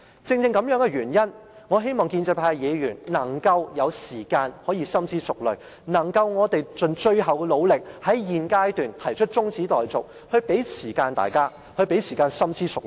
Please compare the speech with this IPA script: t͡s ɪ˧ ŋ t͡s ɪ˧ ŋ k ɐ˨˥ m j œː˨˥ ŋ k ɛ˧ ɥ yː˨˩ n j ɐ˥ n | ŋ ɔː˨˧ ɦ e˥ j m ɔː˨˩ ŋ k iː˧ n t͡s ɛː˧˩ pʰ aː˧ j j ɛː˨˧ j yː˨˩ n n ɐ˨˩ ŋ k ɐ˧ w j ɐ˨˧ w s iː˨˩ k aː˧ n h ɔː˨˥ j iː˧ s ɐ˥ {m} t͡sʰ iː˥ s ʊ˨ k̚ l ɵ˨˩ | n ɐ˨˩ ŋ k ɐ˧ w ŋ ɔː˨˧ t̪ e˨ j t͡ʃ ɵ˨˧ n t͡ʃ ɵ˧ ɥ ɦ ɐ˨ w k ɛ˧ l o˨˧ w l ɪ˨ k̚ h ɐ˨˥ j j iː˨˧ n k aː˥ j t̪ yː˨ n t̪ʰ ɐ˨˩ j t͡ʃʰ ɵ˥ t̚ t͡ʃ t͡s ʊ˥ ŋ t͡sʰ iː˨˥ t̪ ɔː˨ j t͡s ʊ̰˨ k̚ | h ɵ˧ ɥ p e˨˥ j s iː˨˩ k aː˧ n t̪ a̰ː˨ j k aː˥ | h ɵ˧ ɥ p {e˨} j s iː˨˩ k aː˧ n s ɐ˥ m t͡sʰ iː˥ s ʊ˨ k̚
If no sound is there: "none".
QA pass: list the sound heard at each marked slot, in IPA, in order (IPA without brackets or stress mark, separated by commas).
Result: m, e˨˥